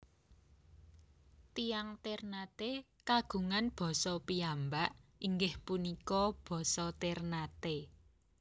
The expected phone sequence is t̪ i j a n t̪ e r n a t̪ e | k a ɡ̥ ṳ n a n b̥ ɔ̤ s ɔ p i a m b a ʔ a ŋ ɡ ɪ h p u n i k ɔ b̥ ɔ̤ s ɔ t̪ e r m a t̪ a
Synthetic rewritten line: t̪ i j a ŋ t̪ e r n a t̪ e | k a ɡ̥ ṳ ŋ a n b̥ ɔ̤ s ɔ p i a m b a ʔ i ŋ ɡ ɪ h p u n i k ɔ b̥ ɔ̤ s ɔ t̪ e r n a t̪ e